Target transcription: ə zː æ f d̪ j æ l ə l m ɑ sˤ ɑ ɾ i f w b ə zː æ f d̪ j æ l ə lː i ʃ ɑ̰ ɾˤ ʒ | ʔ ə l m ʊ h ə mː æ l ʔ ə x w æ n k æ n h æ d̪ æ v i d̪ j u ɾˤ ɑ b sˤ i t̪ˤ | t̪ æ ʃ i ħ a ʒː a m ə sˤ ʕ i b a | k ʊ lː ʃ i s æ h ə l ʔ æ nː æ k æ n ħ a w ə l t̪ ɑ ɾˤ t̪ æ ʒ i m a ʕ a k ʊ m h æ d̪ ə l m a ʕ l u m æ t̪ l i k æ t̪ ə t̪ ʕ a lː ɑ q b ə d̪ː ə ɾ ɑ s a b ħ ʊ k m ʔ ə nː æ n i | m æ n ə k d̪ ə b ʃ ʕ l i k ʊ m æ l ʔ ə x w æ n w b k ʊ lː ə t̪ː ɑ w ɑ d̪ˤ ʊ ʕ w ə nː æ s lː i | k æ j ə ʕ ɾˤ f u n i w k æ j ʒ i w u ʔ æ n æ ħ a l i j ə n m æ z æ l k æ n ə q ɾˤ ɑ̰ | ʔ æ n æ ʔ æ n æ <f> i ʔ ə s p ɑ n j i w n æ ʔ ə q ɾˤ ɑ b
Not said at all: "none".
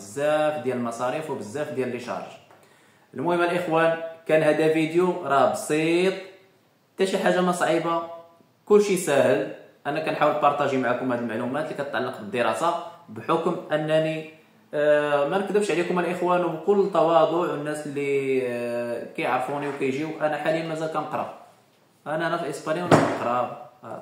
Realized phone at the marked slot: f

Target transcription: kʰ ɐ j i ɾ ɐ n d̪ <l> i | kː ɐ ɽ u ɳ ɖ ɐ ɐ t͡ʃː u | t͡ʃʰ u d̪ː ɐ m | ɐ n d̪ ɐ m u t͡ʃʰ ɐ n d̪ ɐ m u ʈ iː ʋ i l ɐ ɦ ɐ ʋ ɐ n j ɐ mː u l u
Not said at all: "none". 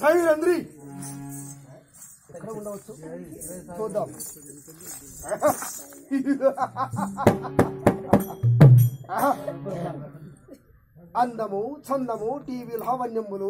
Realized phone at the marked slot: ɾ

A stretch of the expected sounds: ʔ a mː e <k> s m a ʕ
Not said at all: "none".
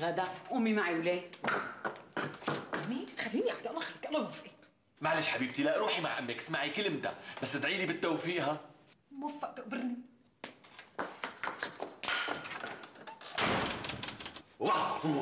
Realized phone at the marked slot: k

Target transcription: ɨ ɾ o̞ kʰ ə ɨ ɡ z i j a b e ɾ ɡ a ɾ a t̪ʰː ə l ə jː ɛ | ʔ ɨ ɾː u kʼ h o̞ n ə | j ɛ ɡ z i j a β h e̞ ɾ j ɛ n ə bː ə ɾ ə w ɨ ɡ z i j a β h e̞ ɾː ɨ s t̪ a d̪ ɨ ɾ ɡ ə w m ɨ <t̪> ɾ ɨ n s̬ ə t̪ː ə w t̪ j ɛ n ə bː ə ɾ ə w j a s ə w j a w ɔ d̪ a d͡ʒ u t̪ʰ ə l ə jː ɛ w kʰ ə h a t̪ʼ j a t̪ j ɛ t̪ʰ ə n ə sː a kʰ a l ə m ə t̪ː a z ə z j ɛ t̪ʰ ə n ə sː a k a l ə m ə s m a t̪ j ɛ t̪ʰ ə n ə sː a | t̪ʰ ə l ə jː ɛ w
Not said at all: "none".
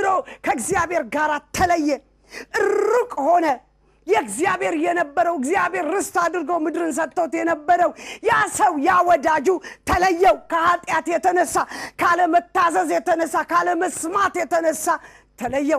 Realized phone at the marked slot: d̪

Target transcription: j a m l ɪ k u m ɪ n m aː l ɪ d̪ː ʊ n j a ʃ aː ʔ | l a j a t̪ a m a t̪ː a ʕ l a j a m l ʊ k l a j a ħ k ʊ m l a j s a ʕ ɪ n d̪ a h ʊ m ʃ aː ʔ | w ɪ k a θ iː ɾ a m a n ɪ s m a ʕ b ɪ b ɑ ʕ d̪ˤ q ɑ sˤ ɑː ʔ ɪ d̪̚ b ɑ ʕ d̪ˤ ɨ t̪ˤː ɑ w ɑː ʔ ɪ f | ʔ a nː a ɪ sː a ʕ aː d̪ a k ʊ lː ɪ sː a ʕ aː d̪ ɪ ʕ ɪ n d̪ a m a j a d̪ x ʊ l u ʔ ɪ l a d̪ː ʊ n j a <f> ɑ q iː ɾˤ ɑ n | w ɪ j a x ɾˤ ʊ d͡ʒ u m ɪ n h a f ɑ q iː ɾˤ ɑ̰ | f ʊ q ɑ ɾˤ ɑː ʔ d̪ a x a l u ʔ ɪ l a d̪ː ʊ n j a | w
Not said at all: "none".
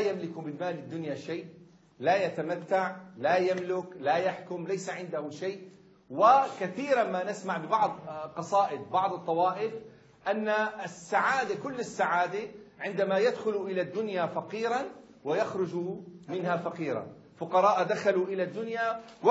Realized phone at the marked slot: f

